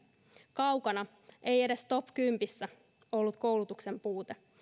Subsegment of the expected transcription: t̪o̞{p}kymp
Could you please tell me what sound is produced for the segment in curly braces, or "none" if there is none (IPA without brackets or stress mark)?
p